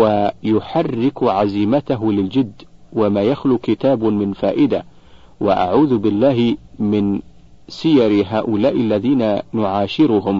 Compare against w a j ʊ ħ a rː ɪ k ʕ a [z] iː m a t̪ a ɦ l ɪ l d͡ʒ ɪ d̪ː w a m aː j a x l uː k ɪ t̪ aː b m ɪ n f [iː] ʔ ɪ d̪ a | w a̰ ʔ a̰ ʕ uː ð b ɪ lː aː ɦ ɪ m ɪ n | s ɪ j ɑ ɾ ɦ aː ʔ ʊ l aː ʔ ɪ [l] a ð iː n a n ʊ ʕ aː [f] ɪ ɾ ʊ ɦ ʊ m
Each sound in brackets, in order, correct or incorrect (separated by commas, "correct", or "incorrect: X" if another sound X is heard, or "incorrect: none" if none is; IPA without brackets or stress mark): correct, incorrect: aː, incorrect: lː, incorrect: ʃ